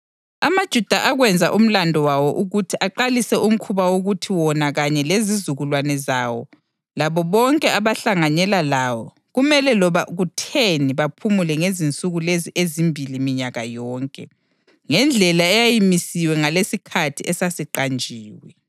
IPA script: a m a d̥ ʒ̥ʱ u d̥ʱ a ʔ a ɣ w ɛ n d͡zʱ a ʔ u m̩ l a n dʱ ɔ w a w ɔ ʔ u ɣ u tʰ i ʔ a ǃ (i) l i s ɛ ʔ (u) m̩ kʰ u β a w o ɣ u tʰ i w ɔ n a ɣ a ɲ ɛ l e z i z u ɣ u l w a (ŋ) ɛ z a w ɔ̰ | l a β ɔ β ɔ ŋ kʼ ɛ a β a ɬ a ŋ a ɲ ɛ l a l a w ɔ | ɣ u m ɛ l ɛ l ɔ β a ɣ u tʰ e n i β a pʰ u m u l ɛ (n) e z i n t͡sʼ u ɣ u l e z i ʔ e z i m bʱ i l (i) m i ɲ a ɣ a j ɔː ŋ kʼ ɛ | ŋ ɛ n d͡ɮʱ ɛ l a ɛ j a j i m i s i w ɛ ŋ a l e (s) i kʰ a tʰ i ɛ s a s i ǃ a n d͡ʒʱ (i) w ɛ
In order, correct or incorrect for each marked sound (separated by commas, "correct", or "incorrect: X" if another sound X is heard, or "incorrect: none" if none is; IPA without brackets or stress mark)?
incorrect: a, correct, incorrect: n, incorrect: ŋ, correct, correct, incorrect: iː